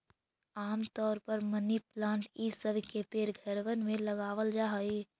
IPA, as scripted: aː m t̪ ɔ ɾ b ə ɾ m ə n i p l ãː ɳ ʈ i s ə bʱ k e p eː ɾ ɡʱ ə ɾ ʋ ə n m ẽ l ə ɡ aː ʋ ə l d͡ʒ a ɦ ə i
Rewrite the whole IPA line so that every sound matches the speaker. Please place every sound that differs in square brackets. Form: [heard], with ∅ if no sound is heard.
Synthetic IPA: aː m t̪ [ɔː] ɾ [p] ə ɾ m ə n i p l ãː ɳ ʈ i s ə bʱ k e p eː ɾ ɡʱ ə ɾ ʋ ə n m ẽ l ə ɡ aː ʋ ə l d͡ʒ a ɦ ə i